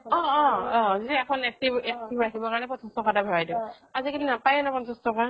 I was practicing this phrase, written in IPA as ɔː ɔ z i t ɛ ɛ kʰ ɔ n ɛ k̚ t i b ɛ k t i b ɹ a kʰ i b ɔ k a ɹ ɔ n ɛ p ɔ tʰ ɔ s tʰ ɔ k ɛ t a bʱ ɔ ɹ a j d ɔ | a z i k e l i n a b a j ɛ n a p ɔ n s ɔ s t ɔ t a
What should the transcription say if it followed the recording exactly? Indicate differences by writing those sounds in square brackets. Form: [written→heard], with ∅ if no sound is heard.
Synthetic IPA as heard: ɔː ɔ z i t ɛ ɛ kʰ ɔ n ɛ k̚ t i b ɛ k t i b ɹ a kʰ i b ɔ k a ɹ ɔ n ɛ p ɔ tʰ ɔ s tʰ ɔ k [ɛ→a] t a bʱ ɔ ɹ a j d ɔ | a z i k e l i n a [b→p] a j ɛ n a p ɔ n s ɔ s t ɔ [t→k] a